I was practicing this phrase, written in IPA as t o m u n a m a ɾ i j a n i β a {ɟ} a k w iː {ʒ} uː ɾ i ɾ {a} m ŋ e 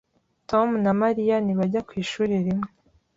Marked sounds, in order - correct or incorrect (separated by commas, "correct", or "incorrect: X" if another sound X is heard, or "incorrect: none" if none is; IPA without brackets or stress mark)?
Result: correct, incorrect: ʃ, incorrect: i